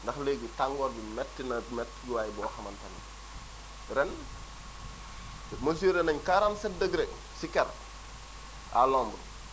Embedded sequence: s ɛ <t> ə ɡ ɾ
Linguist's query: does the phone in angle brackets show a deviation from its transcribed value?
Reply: yes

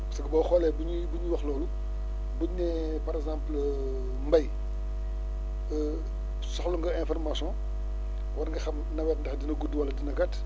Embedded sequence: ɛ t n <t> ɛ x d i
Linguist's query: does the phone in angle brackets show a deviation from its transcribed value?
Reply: yes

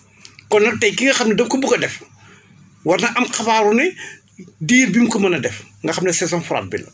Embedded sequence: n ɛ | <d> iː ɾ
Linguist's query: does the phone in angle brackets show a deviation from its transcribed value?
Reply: no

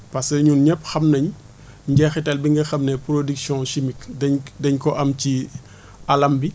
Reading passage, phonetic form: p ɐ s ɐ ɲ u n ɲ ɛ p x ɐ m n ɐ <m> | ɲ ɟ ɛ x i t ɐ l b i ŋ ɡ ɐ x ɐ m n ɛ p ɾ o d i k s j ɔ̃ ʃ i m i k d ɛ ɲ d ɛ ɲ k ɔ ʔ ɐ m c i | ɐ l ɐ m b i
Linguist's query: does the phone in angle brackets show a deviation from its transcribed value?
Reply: yes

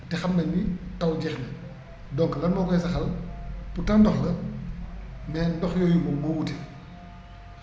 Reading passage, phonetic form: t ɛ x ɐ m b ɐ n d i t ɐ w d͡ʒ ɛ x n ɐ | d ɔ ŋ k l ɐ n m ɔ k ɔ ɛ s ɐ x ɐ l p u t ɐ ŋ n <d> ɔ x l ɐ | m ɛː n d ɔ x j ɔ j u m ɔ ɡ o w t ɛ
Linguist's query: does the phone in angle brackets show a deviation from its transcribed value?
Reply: no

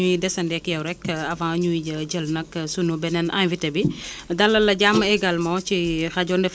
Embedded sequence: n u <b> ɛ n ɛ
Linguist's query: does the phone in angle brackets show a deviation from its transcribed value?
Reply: no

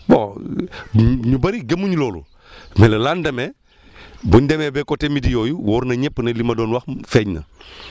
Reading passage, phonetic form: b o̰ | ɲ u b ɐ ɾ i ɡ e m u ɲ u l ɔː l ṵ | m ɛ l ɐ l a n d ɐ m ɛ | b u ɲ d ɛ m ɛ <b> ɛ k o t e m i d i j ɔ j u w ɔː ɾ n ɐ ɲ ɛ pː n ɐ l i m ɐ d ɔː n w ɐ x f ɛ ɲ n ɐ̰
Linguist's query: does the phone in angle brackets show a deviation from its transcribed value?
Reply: no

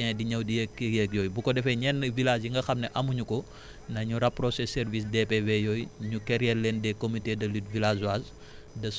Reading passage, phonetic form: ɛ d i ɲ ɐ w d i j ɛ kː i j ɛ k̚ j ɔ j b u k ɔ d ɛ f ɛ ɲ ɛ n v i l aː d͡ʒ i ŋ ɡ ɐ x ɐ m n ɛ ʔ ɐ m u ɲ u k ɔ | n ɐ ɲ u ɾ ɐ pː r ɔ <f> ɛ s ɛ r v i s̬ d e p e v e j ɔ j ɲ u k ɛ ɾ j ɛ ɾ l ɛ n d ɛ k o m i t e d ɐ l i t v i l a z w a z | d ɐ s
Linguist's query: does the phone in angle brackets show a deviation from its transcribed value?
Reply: yes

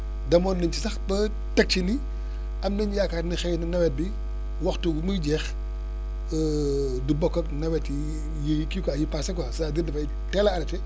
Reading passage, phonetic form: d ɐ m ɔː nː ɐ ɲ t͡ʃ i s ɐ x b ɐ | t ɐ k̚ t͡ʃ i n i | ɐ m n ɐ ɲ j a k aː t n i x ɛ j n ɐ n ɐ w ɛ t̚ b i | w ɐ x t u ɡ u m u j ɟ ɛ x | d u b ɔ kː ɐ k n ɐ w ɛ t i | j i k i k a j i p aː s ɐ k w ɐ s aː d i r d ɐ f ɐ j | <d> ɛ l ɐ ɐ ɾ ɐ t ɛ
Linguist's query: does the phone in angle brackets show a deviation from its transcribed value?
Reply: yes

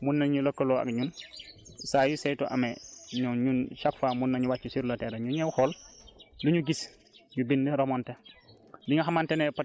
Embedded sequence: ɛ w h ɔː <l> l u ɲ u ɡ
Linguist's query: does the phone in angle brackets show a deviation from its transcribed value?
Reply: no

